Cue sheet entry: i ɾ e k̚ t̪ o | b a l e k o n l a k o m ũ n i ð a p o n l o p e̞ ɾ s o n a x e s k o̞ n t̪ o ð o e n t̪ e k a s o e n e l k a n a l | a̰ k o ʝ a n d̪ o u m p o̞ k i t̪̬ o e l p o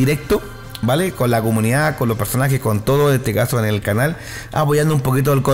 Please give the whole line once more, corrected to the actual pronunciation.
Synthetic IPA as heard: i ɾ e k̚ t̪ o | b a l e k o n l a k o m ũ n i ð a k o n l o p e̞ ɾ s o n a x e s k o̞ n t̪ o ð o e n t̪ e k a s o e n e l k a n a l | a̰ p o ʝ a n d̪ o u m p o̞ k i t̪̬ o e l k o